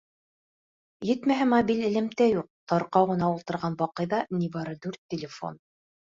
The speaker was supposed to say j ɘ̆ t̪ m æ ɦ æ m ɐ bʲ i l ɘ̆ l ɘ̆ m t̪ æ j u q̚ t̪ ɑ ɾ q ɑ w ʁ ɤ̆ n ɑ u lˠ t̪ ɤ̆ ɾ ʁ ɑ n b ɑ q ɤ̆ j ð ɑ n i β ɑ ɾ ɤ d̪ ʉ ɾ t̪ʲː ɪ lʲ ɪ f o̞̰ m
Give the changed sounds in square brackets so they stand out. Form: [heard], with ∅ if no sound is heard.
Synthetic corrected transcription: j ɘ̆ t̪ m æ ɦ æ m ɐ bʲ i l ɘ̆ l ɘ̆ m t̪ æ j u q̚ t̪ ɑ ɾ q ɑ w ʁ ɤ̆ n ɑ u lˠ t̪ ɤ̆ ɾ ʁ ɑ n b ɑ q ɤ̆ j ð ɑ n i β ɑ ɾ ɤ d̪ ʉ ɾ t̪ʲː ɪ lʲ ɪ f o̞̰ [n]